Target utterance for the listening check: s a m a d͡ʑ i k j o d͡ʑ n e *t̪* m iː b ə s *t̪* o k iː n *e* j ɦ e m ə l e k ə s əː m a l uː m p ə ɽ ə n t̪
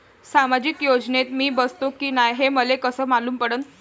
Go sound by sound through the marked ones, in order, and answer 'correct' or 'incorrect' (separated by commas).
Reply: correct, correct, incorrect